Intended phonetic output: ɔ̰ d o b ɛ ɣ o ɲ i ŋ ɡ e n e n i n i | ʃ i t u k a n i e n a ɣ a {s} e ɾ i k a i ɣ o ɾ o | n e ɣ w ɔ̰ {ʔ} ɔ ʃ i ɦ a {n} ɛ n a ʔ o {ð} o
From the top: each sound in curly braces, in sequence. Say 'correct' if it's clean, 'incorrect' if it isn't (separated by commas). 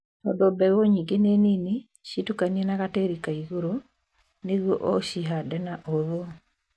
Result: incorrect, correct, incorrect, correct